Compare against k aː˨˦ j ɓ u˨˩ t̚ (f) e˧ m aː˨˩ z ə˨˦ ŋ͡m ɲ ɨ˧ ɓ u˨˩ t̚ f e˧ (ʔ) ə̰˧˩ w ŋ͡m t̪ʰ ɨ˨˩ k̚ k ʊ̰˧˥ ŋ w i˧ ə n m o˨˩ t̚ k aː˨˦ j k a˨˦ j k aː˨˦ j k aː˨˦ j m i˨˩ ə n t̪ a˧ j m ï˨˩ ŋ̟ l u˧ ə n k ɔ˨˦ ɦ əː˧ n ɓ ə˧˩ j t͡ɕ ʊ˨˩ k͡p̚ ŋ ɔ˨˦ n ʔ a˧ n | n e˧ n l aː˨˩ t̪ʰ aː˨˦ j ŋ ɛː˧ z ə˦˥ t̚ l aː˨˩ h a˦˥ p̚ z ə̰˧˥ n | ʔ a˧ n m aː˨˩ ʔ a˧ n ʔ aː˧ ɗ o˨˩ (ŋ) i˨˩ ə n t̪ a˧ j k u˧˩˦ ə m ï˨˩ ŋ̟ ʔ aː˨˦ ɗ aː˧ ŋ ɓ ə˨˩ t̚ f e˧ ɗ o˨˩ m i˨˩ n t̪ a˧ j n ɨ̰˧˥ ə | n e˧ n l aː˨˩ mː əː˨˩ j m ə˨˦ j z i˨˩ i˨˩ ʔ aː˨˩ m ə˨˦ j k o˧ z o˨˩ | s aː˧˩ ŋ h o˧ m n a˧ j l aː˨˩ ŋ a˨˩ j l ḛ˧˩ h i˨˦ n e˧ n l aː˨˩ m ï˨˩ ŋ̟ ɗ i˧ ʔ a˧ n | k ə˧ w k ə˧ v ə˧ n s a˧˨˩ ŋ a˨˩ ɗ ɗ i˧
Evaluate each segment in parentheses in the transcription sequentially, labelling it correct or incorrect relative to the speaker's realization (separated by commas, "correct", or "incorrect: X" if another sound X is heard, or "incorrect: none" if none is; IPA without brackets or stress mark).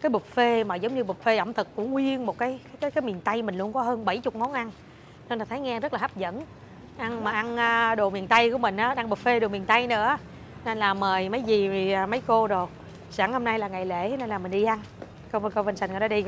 correct, correct, incorrect: m